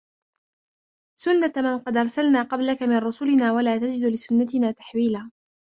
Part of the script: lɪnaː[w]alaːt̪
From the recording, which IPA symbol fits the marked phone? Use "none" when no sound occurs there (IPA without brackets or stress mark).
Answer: w